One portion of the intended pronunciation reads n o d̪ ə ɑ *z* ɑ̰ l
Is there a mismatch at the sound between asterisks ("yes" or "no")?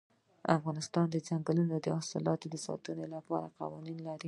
yes